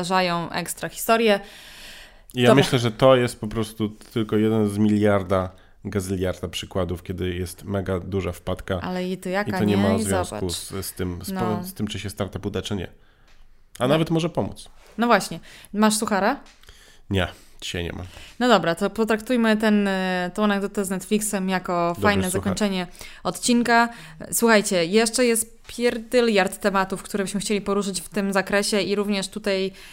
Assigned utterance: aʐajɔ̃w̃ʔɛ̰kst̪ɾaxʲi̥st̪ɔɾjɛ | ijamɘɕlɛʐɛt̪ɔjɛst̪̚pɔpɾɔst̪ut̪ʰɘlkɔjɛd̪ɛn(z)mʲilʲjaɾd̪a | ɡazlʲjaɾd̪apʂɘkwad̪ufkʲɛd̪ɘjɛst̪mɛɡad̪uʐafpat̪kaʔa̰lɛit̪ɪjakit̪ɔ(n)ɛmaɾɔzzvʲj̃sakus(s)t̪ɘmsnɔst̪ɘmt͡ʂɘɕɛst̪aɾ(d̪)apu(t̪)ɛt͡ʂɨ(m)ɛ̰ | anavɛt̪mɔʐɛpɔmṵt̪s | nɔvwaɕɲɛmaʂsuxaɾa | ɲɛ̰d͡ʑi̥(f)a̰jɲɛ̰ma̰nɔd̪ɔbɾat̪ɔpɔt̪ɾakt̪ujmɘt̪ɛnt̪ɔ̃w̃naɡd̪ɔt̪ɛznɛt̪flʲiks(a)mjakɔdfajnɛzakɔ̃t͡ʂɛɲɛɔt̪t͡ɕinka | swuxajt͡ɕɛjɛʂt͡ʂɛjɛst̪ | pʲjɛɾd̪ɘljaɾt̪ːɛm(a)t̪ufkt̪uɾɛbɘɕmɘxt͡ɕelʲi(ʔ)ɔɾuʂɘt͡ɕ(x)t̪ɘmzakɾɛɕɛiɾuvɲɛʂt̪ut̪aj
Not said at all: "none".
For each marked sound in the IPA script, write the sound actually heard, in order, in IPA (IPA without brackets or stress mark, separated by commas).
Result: z, ɲ, s, t̪, d̪, ɲ, ɕ, ɛ, a, p, f